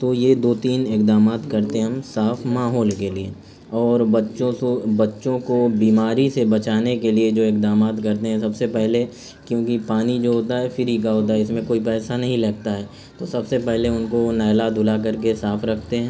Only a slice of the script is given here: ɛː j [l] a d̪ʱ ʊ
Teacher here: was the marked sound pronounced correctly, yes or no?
yes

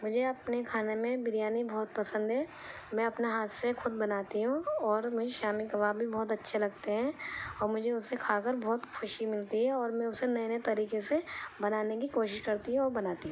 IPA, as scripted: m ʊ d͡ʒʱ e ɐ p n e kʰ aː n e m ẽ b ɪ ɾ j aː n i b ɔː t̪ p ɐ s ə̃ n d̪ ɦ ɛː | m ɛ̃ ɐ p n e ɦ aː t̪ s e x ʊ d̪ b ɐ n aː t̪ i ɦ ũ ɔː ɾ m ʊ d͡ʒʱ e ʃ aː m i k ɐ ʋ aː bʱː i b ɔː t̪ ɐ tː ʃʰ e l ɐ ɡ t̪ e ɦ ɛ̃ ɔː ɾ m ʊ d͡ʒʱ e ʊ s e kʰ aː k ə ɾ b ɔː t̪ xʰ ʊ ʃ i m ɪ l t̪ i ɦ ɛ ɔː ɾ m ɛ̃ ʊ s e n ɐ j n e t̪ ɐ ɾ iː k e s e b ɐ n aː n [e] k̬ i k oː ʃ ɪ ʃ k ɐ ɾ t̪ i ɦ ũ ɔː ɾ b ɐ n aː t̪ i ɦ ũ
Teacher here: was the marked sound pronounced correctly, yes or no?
yes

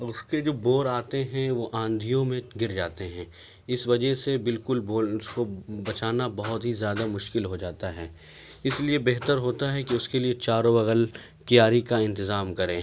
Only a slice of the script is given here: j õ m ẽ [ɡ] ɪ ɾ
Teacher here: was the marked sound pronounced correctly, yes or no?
yes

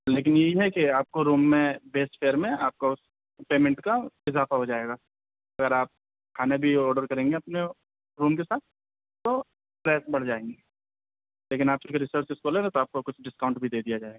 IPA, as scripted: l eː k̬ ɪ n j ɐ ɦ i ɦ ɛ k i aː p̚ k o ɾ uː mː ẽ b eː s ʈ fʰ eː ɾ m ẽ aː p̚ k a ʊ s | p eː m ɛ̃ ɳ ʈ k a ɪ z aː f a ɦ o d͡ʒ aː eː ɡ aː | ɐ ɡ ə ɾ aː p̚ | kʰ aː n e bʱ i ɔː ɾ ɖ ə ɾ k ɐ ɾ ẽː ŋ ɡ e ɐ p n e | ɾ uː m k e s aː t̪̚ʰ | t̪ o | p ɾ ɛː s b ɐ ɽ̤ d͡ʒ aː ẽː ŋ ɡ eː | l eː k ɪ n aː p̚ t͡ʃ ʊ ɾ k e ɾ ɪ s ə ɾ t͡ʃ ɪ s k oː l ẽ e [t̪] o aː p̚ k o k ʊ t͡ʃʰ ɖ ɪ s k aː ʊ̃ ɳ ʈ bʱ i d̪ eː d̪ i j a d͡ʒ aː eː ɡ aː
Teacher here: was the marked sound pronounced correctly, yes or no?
yes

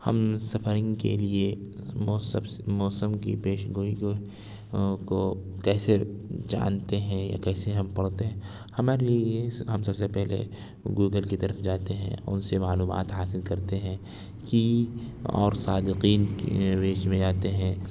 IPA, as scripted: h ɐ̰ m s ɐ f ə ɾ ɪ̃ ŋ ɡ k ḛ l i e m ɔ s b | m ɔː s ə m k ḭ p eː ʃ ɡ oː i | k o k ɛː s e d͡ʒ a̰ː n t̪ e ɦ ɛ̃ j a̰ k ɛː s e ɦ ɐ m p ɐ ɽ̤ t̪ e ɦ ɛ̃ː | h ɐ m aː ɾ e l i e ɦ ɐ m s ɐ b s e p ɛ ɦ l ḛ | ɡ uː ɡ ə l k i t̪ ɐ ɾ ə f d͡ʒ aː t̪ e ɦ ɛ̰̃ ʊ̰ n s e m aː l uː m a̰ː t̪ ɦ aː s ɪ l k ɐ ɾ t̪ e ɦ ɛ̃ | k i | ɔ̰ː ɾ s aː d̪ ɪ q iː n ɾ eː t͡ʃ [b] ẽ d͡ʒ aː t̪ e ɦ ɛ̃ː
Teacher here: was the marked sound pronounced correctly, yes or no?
no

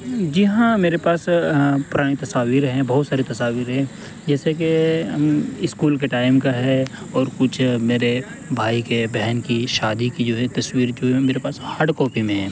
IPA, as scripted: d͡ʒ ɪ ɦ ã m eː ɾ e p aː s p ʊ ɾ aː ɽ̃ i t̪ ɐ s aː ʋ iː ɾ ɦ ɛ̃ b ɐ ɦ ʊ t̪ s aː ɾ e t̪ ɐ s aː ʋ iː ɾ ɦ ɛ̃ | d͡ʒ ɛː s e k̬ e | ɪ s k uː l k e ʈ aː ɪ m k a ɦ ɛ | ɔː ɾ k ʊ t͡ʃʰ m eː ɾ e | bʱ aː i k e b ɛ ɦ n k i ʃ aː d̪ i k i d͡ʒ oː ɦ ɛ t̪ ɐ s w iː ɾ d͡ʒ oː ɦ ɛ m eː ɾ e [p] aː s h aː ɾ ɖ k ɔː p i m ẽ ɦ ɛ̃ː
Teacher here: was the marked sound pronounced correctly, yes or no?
yes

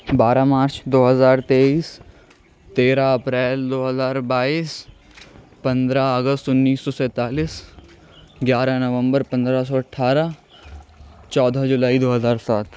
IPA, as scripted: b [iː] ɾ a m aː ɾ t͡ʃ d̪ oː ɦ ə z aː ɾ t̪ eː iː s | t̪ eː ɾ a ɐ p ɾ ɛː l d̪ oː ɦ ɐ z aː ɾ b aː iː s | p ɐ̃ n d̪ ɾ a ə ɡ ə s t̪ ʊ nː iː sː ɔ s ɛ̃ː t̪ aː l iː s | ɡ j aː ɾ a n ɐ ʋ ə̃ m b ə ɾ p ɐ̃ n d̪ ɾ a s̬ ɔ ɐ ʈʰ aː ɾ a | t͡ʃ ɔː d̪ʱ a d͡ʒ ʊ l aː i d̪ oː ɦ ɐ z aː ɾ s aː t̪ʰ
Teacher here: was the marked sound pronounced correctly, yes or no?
no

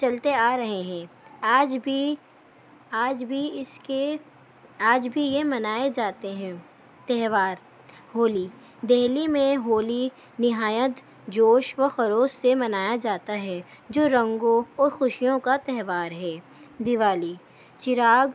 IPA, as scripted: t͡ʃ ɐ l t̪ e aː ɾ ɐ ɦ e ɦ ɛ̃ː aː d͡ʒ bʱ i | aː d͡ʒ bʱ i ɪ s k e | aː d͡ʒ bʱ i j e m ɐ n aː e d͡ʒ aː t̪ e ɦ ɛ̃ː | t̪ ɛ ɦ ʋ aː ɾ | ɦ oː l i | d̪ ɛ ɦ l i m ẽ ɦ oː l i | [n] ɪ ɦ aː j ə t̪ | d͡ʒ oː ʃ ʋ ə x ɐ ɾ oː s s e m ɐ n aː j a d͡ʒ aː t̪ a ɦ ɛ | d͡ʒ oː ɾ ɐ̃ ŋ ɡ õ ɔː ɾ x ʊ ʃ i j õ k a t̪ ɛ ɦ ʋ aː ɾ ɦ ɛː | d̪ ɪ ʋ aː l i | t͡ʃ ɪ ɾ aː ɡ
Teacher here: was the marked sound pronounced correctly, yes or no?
yes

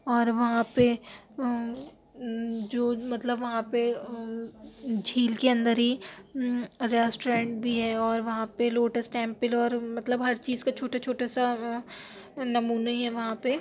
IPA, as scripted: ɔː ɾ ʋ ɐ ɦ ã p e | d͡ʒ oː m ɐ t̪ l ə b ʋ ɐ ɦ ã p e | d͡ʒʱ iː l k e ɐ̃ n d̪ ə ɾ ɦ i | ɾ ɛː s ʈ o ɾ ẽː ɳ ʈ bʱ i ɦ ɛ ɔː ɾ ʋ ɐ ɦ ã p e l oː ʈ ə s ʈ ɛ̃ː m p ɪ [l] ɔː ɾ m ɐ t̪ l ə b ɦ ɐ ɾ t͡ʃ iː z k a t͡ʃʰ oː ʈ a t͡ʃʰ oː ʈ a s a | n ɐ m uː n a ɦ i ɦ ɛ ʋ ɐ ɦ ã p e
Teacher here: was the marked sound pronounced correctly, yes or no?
yes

